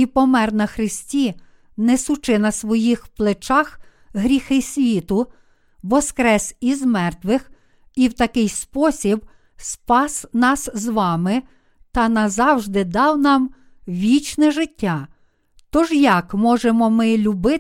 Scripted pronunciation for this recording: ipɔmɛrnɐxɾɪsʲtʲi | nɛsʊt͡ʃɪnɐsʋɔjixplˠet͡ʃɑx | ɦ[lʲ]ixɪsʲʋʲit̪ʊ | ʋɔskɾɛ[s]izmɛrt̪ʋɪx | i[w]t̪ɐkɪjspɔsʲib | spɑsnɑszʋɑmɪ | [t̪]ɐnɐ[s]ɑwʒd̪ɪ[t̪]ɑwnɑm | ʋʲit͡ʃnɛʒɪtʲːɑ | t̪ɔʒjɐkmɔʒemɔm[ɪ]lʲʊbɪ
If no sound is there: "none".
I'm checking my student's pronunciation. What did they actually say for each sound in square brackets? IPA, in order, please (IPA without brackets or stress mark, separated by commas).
ɾʲ, s, w, t̪, z, d̪, ɪ